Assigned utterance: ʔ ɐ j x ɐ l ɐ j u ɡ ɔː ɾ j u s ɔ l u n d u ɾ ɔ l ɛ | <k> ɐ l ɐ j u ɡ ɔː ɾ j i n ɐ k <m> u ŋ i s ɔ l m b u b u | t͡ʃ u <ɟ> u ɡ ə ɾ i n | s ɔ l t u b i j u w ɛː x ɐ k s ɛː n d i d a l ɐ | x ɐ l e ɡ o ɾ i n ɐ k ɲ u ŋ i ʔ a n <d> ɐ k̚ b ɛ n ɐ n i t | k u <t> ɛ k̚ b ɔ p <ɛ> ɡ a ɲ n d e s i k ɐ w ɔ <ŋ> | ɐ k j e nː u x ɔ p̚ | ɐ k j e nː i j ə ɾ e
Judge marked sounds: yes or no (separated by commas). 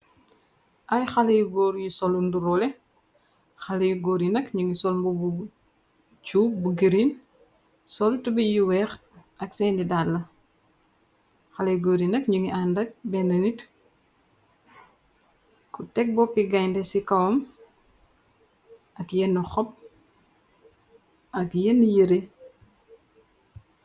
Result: no, no, no, yes, yes, no, no